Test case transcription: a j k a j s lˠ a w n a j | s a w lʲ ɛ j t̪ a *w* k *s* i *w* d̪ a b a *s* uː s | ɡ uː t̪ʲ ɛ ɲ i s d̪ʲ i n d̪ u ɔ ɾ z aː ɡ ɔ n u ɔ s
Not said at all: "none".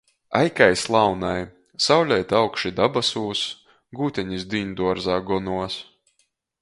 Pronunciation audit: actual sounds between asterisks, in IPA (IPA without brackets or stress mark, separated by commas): w, ʃ, none, s